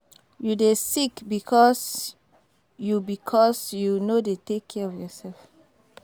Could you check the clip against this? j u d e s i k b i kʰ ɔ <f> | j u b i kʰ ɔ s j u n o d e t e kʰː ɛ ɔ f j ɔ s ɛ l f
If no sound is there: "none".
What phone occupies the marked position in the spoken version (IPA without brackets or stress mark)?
s